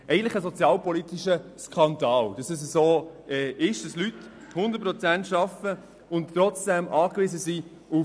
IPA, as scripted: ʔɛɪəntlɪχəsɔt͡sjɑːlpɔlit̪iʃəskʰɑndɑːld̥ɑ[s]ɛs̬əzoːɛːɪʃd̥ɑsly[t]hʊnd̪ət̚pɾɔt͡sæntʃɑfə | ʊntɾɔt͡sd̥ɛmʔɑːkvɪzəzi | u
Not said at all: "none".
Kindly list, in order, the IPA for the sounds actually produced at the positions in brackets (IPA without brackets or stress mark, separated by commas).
s, t